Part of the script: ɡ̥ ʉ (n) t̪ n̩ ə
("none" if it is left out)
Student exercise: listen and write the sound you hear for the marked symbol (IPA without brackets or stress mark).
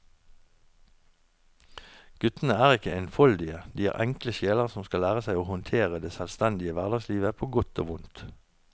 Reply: none